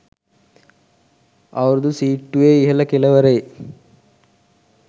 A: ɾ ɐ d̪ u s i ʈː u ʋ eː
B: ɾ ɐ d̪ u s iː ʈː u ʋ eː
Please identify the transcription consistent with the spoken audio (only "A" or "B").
B